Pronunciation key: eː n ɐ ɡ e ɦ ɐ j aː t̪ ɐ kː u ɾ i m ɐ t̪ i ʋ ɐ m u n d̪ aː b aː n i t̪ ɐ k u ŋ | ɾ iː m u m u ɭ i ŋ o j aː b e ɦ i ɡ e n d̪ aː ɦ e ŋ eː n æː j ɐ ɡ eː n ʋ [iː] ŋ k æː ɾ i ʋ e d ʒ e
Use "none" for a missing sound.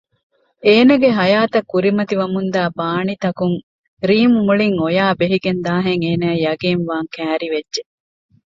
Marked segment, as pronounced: aː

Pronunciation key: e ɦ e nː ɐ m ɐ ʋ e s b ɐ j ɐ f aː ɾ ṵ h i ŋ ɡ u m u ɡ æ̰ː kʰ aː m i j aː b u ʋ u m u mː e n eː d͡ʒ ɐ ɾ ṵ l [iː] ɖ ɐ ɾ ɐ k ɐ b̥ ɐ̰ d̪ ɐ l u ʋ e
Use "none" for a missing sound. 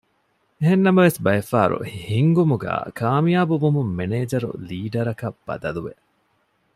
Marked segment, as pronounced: iː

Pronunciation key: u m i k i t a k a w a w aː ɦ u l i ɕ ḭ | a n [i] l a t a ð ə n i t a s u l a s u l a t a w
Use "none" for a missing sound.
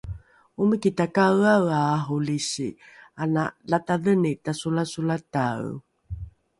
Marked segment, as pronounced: a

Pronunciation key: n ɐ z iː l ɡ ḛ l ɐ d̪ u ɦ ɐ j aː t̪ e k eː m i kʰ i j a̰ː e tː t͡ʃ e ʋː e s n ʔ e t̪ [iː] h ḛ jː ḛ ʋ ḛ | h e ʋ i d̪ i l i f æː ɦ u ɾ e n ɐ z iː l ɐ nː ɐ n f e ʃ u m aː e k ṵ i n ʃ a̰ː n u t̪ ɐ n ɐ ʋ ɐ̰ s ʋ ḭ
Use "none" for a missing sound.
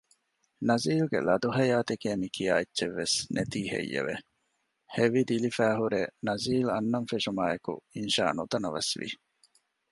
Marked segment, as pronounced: iː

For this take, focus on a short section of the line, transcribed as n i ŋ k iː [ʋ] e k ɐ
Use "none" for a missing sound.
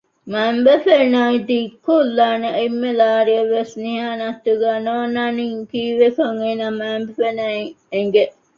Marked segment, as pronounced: ʋ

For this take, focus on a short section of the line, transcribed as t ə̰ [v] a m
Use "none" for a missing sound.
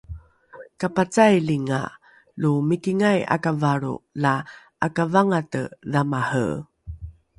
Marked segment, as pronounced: ð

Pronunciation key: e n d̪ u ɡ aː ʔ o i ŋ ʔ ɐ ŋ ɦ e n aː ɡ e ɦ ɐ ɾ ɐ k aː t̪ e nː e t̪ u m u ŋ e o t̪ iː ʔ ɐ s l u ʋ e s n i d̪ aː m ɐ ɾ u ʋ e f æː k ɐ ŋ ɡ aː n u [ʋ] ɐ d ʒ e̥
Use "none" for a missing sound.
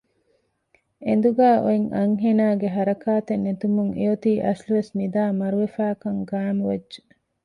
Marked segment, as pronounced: ʋ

